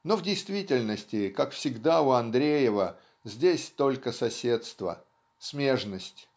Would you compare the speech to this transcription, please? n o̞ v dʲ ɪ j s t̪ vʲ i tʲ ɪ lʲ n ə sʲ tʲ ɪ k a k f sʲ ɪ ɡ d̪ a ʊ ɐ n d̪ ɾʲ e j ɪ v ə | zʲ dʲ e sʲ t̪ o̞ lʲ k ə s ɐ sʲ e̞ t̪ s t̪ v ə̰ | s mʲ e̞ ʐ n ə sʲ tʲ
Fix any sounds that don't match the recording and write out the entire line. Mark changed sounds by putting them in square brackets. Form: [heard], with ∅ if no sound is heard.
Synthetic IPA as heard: n o̞ v dʲ ɪ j s t̪ vʲ i tʲ ɪ lʲ n ə sʲ tʲ ɪ k a k f sʲ ɪ ɡ d̪ a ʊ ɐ n d̪ ɾʲ e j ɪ v ə | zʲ dʲ e sʲ t̪ o̞ lʲ k ə s ɐ sʲ e̞ t̪ s t̪ v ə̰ | s mʲ e̞ ʐ n ə sʲ tʲ